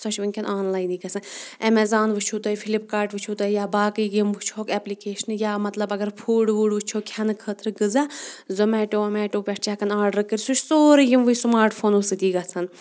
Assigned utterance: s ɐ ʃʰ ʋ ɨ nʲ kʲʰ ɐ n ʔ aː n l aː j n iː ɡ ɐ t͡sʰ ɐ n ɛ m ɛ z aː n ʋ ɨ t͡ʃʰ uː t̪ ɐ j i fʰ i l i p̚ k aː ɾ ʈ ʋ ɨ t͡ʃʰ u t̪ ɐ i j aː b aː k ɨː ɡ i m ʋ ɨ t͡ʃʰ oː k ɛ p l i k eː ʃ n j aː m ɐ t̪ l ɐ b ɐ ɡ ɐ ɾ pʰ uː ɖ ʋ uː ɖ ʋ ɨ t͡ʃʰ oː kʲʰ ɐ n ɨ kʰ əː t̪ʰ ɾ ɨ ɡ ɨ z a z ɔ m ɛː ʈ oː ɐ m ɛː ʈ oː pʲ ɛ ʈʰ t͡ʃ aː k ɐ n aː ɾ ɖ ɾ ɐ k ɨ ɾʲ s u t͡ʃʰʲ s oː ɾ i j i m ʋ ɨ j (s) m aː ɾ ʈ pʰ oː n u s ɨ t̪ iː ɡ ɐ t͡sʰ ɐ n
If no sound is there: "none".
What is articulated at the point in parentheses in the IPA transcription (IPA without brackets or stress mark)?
s